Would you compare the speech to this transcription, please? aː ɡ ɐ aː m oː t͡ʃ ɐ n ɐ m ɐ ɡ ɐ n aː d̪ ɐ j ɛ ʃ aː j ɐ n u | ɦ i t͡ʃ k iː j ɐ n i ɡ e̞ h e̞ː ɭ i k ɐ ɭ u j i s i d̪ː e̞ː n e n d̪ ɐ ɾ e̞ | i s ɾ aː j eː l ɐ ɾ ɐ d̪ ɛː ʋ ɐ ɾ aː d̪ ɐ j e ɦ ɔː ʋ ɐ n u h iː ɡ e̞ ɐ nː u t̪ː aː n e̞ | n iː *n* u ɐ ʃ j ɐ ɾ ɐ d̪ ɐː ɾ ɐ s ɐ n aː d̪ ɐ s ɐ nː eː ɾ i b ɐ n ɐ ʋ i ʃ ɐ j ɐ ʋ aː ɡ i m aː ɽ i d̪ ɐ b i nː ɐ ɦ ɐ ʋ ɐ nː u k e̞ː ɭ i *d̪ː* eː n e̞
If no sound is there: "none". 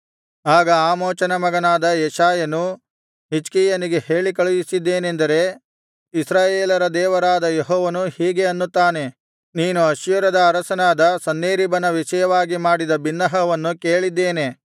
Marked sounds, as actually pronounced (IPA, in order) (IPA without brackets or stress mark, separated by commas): n, d̪ː